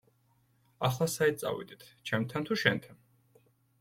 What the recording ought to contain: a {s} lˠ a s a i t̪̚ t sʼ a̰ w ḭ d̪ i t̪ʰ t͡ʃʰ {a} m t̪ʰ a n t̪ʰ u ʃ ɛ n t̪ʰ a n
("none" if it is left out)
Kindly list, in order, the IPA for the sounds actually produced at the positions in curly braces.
χ, ɛ

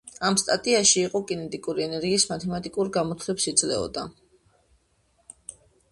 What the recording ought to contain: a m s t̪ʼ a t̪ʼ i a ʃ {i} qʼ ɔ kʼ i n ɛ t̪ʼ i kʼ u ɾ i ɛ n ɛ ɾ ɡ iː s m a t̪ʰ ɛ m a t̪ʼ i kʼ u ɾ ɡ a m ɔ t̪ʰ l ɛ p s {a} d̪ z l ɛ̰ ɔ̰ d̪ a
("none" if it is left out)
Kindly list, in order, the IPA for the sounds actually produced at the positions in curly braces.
iː, i

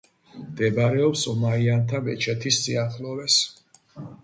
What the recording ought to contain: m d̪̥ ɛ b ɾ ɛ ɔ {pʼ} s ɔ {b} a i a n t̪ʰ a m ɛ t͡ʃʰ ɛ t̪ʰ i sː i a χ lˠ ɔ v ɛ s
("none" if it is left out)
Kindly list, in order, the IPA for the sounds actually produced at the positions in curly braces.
p, m

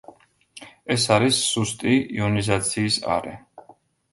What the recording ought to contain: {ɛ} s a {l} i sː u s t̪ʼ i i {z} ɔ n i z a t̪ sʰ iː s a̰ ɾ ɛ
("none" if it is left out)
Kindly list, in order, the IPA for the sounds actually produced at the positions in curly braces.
ɛ, ɾ, none

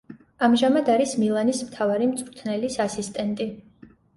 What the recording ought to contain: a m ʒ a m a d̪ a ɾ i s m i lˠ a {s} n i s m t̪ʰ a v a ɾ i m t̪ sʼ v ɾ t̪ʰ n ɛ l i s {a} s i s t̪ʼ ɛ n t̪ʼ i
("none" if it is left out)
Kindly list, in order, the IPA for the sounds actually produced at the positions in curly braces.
none, a

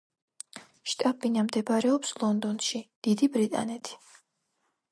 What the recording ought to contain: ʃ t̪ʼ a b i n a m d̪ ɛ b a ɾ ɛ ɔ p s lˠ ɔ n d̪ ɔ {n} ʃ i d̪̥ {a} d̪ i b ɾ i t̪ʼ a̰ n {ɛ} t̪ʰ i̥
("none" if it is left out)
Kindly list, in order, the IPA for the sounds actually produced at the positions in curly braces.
n, i, ɛ

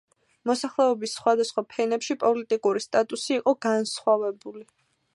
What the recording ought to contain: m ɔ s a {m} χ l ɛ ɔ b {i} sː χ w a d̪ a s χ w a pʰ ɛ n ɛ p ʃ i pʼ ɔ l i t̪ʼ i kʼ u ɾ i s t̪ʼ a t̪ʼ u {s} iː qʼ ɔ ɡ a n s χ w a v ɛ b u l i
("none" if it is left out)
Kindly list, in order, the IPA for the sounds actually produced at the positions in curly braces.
none, i, s

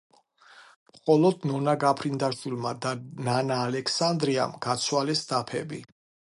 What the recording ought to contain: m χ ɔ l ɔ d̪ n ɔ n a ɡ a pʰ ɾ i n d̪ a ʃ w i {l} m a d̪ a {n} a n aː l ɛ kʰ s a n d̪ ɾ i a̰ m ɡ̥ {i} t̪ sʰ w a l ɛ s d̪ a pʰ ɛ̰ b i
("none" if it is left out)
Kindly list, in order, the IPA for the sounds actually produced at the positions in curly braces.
l, n, a

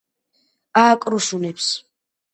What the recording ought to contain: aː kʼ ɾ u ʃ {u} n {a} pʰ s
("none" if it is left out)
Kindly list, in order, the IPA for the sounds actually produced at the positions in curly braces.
u, ɛ

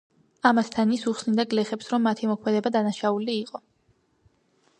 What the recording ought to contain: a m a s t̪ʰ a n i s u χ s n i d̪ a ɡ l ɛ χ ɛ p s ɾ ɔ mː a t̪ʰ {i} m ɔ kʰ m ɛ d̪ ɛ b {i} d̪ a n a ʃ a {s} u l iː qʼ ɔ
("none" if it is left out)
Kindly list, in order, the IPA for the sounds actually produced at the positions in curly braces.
i, a, none

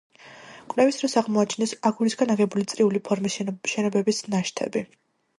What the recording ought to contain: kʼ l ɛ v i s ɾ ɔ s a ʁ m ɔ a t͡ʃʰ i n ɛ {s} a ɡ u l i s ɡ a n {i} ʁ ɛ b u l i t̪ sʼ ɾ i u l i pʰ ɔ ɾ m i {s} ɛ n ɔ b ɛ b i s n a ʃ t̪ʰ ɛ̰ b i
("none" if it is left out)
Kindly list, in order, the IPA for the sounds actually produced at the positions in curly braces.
s, a, ʃ

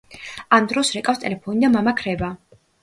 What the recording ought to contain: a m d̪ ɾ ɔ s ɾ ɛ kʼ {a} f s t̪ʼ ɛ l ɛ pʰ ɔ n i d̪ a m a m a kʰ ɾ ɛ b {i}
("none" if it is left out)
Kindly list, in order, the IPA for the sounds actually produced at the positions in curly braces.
a, a

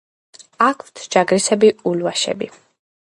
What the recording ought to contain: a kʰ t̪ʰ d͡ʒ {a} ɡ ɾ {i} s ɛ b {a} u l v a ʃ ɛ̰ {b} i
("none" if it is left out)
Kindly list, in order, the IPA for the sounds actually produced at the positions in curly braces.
a, i, i, b

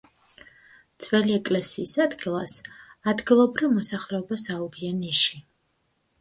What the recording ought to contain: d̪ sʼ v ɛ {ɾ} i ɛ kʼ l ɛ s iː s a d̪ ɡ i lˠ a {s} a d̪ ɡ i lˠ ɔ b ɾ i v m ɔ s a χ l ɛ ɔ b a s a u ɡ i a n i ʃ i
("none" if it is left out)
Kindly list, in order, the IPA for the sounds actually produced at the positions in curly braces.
l, s

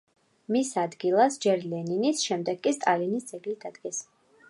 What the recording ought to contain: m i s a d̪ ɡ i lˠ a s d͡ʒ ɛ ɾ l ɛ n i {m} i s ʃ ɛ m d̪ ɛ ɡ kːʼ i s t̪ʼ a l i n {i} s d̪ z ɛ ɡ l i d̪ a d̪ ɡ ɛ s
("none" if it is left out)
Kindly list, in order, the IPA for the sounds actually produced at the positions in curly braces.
n, i

